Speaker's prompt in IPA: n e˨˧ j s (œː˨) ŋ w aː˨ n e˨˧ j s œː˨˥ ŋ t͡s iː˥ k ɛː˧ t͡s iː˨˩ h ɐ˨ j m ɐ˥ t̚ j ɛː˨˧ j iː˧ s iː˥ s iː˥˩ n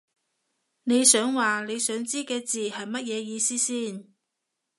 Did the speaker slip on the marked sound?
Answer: yes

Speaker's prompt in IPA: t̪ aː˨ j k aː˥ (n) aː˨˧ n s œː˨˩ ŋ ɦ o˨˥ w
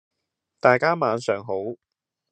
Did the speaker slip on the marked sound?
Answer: yes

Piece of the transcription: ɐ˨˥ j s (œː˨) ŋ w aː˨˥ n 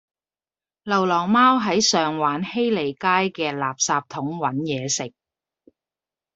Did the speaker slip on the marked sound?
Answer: no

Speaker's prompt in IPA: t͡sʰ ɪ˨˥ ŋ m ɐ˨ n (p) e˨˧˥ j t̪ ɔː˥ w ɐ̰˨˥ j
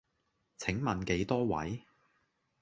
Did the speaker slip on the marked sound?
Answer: yes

